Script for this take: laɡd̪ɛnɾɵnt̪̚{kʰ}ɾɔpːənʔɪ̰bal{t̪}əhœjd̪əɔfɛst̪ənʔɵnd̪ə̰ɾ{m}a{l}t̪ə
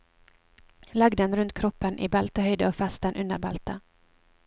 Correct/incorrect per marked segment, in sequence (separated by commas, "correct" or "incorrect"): correct, correct, incorrect, correct